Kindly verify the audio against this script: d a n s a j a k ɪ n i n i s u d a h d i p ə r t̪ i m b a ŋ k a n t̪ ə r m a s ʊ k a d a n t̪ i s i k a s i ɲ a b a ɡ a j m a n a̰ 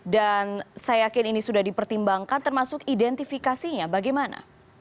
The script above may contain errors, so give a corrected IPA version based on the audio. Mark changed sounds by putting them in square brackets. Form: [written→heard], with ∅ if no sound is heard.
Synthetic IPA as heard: d a n s a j a k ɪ n i n i s u d a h d i p ə r t̪ i m b a ŋ k a n t̪ ə r m a s ʊ k [a→i] d [a→ɛ] n t̪ i [s→f] i k a s i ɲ a b a ɡ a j m a n a̰